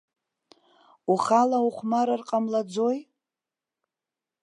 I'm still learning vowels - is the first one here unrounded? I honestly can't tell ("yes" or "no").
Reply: no